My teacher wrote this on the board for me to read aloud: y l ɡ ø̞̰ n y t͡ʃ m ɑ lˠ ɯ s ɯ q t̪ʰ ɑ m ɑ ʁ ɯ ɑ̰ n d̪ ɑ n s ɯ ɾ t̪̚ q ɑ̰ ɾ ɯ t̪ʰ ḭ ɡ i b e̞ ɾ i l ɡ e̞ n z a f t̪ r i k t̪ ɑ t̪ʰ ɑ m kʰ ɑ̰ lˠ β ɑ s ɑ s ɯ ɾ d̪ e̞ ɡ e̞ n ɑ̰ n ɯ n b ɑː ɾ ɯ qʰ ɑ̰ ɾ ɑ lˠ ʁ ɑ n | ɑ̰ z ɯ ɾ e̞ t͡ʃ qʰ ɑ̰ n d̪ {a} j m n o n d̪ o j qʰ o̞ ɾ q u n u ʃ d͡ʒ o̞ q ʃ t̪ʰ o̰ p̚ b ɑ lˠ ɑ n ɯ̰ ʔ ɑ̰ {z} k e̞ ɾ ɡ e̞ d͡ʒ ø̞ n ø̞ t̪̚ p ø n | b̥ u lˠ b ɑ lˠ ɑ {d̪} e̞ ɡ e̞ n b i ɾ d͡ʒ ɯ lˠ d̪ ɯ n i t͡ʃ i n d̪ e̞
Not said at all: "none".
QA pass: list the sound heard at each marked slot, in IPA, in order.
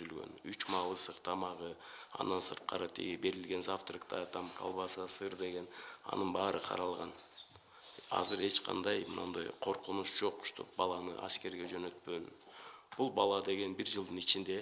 ɑ, s, d̪

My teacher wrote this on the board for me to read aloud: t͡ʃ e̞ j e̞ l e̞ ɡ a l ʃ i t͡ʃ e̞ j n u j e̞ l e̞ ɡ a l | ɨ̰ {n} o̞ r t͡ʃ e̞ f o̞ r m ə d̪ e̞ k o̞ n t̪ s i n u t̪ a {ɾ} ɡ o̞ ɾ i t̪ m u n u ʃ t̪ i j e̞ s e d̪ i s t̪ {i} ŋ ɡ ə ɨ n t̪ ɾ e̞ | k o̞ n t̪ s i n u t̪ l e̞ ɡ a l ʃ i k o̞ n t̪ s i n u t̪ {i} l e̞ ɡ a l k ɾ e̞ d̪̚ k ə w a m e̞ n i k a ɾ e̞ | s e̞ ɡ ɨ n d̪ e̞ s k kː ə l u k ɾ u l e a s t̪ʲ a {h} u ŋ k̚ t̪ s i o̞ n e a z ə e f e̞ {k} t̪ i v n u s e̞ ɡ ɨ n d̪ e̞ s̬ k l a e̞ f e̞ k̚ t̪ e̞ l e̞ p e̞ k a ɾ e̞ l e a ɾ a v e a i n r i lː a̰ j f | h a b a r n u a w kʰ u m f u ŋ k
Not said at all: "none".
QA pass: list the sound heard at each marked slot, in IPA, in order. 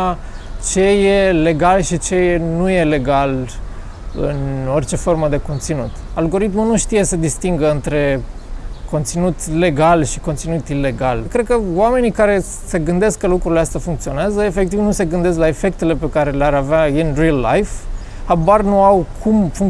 n, l, i, i, f, k

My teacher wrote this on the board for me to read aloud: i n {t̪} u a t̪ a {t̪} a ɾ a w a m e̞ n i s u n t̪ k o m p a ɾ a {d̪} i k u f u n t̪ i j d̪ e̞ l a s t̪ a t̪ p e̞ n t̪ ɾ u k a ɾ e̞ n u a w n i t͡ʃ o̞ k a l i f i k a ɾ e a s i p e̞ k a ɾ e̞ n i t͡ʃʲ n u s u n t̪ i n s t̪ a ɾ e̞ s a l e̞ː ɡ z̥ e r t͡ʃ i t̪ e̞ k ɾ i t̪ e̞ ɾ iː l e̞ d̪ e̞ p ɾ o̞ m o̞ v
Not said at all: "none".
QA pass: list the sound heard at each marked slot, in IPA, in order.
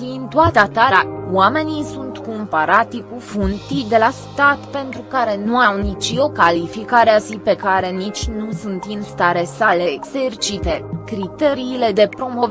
t̪, t̪, t̪

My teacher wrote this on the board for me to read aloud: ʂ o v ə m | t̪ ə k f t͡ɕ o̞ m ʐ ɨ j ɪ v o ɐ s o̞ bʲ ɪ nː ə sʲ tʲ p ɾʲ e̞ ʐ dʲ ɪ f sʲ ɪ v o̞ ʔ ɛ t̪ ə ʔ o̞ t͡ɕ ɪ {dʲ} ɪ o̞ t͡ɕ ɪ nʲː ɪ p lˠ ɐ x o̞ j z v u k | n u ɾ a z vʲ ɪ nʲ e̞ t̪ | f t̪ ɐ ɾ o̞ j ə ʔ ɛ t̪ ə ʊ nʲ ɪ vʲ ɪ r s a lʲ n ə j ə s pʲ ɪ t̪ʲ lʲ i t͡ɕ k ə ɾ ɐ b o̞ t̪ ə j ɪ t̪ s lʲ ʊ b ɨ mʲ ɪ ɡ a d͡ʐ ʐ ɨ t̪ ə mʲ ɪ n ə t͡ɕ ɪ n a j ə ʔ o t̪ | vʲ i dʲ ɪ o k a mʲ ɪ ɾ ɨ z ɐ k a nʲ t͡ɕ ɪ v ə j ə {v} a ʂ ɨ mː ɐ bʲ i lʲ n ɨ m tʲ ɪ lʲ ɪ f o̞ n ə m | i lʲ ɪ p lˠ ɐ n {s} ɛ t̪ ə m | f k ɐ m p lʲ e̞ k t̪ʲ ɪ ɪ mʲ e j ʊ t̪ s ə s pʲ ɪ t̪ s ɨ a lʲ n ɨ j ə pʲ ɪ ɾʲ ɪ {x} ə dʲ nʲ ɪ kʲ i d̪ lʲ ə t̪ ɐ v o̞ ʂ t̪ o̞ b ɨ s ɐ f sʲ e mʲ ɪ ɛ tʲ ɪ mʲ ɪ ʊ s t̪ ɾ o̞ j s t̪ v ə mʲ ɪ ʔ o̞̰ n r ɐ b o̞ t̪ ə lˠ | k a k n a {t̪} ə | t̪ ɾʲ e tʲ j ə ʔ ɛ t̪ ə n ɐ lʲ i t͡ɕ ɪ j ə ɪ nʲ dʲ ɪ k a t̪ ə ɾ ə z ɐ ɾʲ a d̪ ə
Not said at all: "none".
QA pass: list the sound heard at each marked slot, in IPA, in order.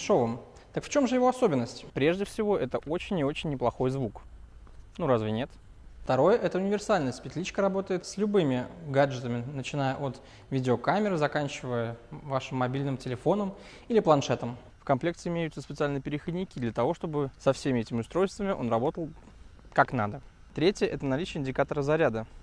nʲ, v, ʂ, x, d̪

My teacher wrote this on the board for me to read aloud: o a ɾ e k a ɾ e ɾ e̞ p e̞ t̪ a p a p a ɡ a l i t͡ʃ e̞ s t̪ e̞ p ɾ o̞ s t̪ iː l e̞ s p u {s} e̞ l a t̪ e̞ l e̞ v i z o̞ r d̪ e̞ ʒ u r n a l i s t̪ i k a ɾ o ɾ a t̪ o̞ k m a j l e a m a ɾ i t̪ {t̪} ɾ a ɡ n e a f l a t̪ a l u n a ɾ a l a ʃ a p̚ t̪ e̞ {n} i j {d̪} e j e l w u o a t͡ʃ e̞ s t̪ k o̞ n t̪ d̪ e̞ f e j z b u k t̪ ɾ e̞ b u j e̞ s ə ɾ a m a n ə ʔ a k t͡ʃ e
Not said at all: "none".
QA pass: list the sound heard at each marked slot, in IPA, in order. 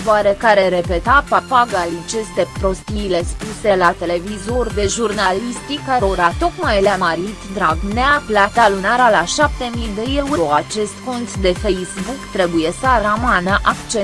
s, d̪, m, d̪

